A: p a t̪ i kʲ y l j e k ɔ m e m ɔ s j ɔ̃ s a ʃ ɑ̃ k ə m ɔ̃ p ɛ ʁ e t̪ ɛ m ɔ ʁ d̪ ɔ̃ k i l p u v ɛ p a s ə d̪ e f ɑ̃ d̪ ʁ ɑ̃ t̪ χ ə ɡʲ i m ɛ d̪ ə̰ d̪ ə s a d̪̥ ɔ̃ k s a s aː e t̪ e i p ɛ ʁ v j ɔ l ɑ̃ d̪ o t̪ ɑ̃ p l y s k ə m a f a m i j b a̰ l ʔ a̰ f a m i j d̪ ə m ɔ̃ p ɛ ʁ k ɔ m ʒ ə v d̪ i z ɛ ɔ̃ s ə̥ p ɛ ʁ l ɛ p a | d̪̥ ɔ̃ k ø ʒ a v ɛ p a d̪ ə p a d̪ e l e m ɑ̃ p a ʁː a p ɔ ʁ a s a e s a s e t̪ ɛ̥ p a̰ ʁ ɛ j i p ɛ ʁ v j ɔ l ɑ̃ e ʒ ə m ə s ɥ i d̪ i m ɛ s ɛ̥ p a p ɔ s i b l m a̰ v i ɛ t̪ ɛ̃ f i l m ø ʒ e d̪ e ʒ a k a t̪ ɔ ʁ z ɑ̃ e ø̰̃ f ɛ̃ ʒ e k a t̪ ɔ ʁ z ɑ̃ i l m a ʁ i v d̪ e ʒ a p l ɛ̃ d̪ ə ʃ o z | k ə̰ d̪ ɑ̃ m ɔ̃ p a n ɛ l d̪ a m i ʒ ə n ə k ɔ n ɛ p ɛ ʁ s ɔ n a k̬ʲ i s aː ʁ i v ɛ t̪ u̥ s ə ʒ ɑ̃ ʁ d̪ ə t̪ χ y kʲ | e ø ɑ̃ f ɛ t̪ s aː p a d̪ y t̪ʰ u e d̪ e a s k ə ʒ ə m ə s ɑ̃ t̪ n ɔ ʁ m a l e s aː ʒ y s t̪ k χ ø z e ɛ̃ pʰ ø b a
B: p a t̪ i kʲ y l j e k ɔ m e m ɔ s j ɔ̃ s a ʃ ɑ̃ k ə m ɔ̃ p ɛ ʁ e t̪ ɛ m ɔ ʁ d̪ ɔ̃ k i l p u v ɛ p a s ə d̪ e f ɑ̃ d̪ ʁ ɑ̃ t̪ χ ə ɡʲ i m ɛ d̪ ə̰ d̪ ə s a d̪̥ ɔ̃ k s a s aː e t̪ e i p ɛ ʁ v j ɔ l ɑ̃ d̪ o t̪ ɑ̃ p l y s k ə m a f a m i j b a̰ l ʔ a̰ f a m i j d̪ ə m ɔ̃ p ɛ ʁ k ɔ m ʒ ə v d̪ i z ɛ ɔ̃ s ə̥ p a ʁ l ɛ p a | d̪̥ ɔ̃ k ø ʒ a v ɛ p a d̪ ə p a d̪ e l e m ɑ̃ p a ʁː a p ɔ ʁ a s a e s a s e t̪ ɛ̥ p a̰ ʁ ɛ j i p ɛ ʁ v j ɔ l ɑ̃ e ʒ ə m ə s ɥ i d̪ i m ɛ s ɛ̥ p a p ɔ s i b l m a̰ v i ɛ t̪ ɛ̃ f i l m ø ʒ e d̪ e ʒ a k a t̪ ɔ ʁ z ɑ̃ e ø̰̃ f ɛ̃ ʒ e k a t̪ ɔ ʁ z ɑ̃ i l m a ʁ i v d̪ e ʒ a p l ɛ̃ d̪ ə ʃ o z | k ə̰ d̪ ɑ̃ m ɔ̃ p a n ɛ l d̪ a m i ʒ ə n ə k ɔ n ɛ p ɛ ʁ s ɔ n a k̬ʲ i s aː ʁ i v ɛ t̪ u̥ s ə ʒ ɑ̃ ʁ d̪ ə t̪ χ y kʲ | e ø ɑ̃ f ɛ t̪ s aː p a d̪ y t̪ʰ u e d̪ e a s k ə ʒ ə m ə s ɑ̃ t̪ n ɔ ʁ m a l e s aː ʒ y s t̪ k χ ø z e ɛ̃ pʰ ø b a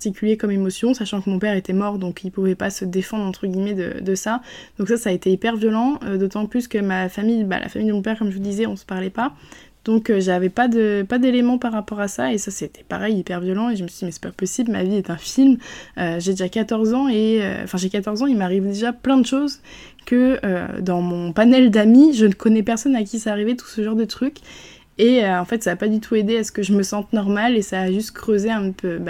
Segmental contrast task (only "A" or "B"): B